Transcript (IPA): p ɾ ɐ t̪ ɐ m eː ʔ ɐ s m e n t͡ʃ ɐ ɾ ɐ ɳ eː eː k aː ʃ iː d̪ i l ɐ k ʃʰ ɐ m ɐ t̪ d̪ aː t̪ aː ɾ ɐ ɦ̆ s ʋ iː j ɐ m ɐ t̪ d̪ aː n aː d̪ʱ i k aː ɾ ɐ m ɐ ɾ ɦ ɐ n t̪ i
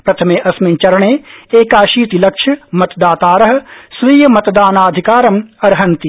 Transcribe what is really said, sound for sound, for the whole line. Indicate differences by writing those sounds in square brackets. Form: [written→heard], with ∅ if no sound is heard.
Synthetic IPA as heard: p ɾ ɐ [t̪→t̪ʰ] ɐ m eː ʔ ɐ s m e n t͡ʃ ɐ ɾ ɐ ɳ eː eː k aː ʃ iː [d̪→t̪] i l ɐ k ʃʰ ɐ m ɐ t̪ d̪ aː t̪ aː ɾ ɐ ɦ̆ s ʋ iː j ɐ m ɐ t̪ d̪ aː n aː d̪ʱ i k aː ɾ ɐ m ɐ ɾ ɦ ɐ n t̪ i